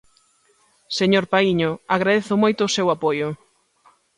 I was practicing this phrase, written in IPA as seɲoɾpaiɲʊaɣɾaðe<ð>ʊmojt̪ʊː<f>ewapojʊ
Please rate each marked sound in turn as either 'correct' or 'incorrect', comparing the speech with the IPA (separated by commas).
incorrect, incorrect